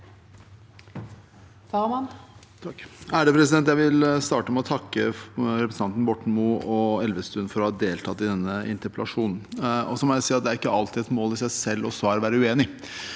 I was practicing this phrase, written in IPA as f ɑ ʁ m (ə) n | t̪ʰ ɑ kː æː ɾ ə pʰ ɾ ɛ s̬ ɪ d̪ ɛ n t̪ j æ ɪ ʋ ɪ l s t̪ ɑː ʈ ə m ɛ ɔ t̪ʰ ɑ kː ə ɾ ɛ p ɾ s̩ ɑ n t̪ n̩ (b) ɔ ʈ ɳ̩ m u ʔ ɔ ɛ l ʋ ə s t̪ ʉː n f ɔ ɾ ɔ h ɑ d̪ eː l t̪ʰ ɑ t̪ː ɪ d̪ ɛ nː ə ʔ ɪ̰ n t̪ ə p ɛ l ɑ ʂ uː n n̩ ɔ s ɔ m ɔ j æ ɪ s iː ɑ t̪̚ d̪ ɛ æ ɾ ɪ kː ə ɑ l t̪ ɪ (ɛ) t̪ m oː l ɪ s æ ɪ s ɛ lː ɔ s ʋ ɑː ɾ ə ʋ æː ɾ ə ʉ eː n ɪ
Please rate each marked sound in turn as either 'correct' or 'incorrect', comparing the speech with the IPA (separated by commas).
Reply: incorrect, correct, correct